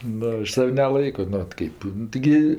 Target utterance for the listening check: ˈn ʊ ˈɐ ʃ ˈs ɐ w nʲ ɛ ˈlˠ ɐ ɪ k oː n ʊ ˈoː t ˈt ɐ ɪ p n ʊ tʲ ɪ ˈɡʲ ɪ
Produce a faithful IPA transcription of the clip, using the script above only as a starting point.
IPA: ˈn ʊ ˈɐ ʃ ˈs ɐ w nʲ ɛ ˈlˠ ɐ ɪ k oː n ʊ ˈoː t ˈk ɐ ɪ p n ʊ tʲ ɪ ˈɡʲ ɪ